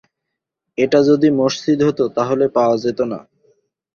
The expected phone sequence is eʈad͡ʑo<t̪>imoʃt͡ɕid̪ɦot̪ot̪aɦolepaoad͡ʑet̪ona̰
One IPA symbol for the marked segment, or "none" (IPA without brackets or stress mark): d̪